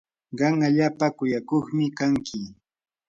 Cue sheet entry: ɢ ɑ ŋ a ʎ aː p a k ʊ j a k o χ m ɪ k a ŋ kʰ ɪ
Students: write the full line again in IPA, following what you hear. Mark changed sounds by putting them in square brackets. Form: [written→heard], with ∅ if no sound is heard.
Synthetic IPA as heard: ɢ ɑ ŋ a ʎ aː p a k ʊ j a k o χ m ɪ k a ŋ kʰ ɪ